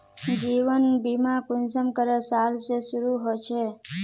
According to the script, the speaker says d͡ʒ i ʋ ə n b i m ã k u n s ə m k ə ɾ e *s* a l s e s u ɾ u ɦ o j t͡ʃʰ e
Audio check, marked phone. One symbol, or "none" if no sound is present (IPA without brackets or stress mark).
s